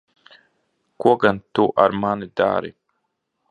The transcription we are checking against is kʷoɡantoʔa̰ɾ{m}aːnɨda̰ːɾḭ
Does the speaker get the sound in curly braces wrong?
no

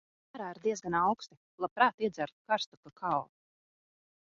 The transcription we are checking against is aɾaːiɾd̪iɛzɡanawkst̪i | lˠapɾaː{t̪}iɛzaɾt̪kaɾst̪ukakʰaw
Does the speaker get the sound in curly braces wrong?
no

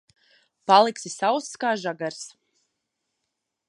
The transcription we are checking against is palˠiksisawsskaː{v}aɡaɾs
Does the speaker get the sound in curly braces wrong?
yes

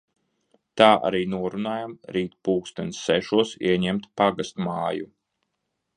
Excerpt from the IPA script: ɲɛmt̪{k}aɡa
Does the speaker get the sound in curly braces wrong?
yes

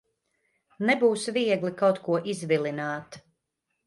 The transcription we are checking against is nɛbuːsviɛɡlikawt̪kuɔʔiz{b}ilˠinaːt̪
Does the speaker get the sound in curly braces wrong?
yes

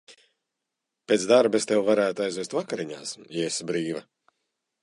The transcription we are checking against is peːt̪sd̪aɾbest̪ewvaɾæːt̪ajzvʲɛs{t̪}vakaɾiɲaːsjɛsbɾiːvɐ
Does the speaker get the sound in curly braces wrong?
no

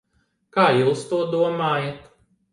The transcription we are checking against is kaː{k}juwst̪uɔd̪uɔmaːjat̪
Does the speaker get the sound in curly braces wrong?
yes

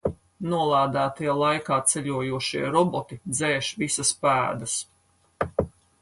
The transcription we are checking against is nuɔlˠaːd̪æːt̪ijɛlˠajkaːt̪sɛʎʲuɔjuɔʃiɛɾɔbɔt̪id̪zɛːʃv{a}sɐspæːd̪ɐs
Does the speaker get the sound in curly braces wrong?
yes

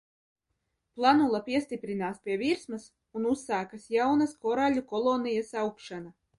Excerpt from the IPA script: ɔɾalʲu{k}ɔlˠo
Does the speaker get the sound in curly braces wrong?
no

